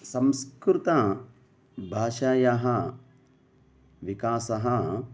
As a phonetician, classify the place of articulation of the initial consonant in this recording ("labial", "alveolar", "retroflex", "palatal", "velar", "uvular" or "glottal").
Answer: alveolar